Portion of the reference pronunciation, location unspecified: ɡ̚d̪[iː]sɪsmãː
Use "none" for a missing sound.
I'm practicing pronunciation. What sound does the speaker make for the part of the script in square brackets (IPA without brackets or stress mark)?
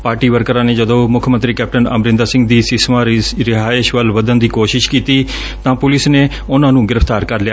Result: iː